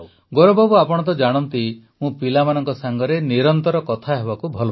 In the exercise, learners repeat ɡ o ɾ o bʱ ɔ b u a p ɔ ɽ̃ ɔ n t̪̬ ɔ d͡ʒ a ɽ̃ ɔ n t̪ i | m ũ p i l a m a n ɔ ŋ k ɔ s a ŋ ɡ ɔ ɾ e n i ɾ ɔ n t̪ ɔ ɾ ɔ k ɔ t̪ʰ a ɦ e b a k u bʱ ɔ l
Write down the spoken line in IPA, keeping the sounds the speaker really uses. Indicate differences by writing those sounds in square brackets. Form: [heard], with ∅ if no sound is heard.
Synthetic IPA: ɡ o ɾ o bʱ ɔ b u a p ɔ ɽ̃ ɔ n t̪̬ ɔ d͡ʒ a ɽ̃ ɔ n t̪ i | m ũ p i l a m a n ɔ ŋ k ɔ s a ŋ ɡ ɔ ɾ e n i ɾ ɔ n t̪ ɔ ɾ ɔ k ɔ t̪ʰ a ɦ e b a k u bʱ ɔ l